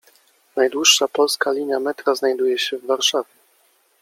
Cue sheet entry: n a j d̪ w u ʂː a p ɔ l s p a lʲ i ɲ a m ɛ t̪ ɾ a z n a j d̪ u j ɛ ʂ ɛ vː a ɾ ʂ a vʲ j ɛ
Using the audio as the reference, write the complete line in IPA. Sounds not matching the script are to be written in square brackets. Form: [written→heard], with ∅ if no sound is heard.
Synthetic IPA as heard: n a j d̪ w u ʂː a p ɔ l s [p→k] a lʲ i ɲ a m ɛ t̪ ɾ a z n a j d̪ u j ɛ [ʂ→ɕ] ɛ vː a ɾ ʂ a vʲ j ɛ